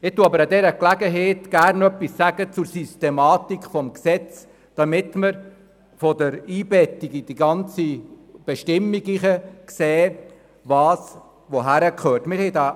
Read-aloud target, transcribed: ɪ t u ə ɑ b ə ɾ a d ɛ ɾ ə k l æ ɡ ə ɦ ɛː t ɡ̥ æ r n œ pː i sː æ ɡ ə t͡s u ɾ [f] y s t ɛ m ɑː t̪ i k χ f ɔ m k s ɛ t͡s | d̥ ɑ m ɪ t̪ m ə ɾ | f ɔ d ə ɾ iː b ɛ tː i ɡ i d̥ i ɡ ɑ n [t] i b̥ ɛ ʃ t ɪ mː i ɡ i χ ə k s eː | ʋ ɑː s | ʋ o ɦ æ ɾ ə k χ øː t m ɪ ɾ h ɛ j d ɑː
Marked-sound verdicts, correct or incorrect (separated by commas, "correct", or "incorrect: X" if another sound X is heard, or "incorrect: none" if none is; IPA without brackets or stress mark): incorrect: s, incorrect: t͡s